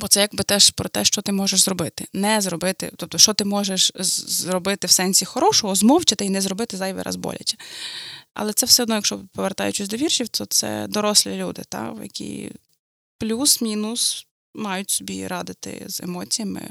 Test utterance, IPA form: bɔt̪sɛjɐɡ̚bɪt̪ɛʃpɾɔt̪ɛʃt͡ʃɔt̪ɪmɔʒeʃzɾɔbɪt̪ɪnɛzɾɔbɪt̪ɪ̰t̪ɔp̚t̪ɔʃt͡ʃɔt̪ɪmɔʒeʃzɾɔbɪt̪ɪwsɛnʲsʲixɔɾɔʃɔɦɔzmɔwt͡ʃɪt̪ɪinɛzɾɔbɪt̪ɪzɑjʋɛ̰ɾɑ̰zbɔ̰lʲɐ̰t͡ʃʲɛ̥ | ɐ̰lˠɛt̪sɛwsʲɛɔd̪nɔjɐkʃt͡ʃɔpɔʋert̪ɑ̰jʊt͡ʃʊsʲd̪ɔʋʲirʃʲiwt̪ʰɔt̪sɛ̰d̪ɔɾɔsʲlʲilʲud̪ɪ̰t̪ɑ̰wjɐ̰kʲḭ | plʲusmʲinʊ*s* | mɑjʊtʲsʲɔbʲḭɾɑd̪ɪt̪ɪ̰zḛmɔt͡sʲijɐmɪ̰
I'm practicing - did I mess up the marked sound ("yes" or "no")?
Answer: no